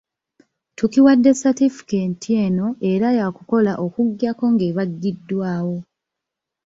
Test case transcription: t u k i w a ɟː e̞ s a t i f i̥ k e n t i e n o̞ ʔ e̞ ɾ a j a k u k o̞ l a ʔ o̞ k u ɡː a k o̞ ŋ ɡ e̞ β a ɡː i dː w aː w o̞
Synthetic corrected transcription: t u k i w a dː e̞ s a t i f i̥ k e n t i e n o̞ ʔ e̞ ɾ a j a k u k o̞ l a ʔ o̞ k u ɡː a k o̞ ŋ ɡ e̞ β a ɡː i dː w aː w o̞